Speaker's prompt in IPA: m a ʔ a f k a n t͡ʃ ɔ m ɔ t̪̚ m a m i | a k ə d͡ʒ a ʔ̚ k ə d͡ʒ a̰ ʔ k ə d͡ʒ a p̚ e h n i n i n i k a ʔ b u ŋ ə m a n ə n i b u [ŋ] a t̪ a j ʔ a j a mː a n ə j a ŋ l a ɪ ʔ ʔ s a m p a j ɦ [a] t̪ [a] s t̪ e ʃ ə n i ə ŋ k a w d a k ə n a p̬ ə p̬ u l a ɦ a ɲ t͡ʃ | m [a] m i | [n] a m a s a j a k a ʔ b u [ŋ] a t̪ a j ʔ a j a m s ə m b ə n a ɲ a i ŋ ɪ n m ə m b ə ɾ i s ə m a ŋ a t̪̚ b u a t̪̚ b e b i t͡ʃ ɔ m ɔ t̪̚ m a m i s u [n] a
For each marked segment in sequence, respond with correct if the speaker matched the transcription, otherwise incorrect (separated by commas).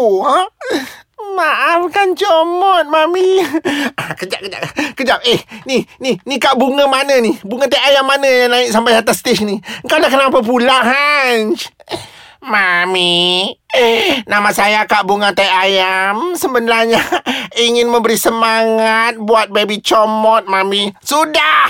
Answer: correct, correct, correct, correct, correct, correct, incorrect